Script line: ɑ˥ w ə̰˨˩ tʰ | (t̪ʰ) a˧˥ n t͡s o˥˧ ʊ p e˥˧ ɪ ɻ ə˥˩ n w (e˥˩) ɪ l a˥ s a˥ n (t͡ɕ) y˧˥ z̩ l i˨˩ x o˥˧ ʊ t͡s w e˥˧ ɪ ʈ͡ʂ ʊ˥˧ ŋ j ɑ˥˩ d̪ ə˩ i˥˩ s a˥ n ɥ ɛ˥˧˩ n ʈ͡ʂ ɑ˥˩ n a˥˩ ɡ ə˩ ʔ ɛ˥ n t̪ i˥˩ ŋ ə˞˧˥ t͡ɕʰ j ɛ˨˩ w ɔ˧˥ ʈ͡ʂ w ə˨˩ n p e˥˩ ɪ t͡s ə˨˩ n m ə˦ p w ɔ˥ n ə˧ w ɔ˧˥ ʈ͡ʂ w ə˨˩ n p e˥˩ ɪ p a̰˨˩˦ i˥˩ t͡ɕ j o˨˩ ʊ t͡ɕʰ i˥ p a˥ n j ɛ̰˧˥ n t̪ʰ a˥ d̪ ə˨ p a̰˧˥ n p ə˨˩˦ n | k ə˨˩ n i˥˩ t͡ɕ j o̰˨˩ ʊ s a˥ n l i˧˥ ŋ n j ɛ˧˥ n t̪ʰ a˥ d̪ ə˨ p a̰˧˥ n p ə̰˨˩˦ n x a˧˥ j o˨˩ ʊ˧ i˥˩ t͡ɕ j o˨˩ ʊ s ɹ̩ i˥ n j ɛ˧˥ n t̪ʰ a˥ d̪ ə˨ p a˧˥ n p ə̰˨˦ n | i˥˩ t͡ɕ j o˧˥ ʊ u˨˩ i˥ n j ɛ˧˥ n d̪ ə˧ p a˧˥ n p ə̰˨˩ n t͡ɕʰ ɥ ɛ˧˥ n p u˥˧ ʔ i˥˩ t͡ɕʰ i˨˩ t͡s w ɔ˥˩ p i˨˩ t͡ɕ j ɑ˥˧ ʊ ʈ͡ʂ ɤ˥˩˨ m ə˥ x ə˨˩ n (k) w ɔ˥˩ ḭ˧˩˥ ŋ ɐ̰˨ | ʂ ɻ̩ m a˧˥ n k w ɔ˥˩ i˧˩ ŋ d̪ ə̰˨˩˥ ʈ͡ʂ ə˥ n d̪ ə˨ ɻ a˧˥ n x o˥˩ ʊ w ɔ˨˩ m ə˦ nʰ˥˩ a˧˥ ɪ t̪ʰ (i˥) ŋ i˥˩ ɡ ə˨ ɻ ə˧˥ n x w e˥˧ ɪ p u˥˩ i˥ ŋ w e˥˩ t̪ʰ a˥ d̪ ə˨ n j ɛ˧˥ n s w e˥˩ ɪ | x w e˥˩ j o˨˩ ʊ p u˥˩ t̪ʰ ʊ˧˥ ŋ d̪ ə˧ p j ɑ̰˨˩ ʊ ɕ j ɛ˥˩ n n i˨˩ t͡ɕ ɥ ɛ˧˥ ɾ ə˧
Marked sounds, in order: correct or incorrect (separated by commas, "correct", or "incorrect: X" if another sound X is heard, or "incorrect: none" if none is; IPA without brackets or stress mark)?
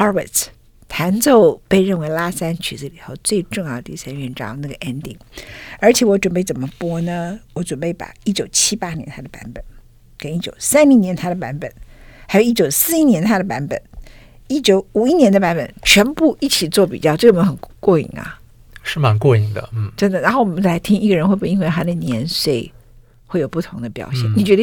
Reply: correct, incorrect: e˧˥, incorrect: t͡ɕʰ, correct, correct